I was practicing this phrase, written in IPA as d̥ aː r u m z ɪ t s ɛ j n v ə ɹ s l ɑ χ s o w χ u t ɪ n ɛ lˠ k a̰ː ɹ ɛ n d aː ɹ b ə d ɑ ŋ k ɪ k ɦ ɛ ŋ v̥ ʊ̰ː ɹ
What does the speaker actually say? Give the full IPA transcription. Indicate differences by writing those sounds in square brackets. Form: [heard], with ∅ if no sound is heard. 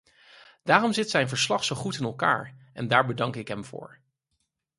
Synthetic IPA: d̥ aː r [ɔ] m z ɪ t s ɛ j n v ə ɹ s l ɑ χ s o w χ u t ɪ n ɛ lˠ k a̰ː ɹ ɛ n d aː ɹ b ə d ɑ ŋ k ɪ k ɦ ɛ [m] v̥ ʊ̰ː ɹ